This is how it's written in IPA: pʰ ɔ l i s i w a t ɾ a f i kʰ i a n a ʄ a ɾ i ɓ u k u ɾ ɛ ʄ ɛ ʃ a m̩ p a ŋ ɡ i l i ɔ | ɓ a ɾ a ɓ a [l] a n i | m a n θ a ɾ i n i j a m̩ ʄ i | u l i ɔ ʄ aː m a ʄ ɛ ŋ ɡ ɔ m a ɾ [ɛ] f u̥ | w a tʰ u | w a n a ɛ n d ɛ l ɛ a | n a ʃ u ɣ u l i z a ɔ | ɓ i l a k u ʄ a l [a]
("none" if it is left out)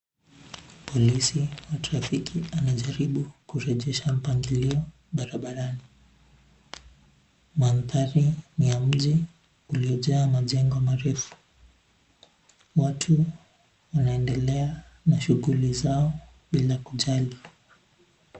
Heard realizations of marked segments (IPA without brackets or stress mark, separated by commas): ɾ, ɛ, i